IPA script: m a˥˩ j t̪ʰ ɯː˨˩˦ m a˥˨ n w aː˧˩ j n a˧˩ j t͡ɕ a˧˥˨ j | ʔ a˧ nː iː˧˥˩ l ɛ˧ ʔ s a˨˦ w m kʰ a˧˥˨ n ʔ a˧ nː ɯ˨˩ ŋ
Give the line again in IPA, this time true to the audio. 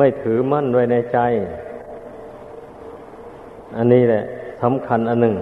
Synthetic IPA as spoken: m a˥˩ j t̪ʰ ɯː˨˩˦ m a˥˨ n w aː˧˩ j n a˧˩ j t͡ɕ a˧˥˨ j | ʔ a˧ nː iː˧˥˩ l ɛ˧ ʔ s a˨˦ m kʰ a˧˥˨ n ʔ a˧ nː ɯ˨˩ ŋ